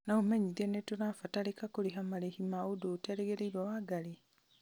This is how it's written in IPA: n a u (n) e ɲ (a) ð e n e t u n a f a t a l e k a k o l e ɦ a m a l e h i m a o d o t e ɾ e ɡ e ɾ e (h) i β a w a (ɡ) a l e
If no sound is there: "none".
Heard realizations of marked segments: m, i, none, ɡ

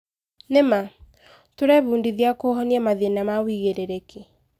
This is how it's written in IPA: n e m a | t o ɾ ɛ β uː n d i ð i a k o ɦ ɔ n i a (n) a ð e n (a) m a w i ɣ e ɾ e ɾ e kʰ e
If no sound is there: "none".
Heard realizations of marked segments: m, a

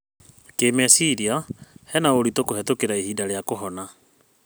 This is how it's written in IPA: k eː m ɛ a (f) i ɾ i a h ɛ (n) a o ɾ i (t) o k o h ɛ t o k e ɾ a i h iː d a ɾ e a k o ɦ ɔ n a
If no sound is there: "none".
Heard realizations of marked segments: s, n, t

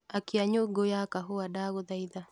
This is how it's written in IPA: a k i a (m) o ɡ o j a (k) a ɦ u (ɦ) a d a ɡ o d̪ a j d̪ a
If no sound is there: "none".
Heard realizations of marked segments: ɲ, k, none

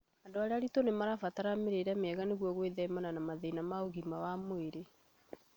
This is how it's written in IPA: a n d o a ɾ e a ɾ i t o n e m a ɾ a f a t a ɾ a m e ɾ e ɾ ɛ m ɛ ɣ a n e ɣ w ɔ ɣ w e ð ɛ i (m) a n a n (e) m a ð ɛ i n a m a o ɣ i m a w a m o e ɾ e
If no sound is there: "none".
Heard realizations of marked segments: m, a

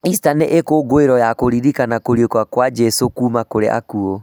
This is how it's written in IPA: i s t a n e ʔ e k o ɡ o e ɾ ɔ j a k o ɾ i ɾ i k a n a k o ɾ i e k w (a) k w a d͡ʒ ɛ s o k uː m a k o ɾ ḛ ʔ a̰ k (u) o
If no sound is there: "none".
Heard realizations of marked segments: a, u

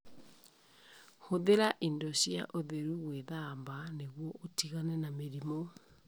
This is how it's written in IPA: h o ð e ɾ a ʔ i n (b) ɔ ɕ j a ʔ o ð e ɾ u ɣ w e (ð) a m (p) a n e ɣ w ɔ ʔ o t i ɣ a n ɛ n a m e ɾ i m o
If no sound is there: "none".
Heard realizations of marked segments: d, ð, b

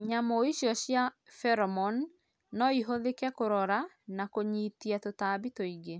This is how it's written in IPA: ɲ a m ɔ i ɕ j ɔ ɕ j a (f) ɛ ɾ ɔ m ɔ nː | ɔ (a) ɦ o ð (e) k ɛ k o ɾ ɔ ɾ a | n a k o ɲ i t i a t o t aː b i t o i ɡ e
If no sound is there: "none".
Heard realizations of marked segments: f, i, e

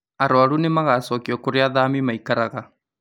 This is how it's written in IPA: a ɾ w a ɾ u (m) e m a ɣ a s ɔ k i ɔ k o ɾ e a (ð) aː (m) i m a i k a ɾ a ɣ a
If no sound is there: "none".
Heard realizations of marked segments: n, ð, m

